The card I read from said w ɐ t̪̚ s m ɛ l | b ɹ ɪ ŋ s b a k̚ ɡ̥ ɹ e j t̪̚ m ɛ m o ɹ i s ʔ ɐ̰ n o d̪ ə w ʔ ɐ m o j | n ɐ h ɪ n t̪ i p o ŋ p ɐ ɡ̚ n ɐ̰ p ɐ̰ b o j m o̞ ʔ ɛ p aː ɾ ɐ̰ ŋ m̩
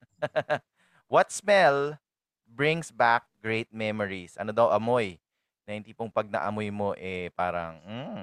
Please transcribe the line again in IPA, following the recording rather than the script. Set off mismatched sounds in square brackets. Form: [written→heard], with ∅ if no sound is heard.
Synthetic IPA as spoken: w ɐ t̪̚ s m ɛ l | b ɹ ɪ ŋ s b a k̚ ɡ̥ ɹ e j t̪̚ m ɛ m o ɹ i s ʔ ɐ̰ n o d̪ [ə→ɐ] w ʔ ɐ m o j | n ɐ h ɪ n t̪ i p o ŋ p ɐ ɡ̚ n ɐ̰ [p→ʔ] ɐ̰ [b→m] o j m o̞ ʔ ɛ p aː ɾ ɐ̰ ŋ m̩